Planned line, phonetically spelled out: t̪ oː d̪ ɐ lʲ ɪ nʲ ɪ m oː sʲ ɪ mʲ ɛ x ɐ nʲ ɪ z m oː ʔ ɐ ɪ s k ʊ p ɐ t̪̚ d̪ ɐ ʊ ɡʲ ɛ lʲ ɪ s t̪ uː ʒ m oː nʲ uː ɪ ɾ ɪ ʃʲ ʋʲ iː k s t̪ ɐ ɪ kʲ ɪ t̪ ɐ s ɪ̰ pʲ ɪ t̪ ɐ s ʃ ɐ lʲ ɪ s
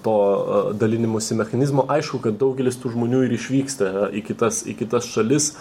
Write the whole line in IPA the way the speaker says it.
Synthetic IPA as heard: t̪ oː d̪ ɐ lʲ ɪ nʲ ɪ m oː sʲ ɪ mʲ ɛ x ɐ nʲ ɪ z m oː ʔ ɐ ɪ ʃ k ʊ k ɐ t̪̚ d̪ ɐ ʊ ɡʲ ɛ lʲ ɪ s t̪ uː ʒ m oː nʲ uː ɪ ɾ ɪ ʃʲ ʋʲ iː k s t̪ ɐ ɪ kʲ ɪ t̪ ɐ s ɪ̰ kʲ ɪ t̪ ɐ s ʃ ɐ lʲ ɪ s